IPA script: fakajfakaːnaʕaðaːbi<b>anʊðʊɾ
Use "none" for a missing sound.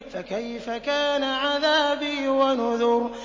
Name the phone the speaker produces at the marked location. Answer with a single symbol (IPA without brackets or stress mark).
w